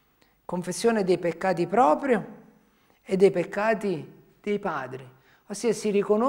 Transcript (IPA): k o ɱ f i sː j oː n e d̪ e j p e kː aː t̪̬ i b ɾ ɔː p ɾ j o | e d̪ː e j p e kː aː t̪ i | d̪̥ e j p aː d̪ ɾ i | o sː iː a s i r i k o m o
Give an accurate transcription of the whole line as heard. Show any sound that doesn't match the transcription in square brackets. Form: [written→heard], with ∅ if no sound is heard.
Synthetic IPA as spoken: k o ɱ f [i→e] sː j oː n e d̪ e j p e kː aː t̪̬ i [b→p] ɾ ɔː p ɾ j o | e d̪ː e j p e kː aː t̪ i | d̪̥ e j p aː d̪ ɾ i | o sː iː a s i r i k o [m→n] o